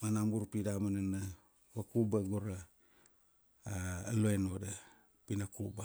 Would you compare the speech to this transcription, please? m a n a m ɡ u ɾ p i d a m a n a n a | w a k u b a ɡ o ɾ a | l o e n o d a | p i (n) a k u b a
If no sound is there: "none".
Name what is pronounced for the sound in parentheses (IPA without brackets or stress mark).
n